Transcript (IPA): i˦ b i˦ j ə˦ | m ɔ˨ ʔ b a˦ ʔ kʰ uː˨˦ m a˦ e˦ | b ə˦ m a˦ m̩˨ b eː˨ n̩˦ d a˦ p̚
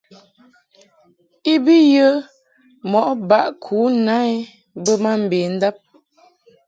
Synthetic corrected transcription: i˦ b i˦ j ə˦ | m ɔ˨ ʔ b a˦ ʔ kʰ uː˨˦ n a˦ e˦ | b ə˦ m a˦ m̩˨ b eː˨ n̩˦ d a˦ p̚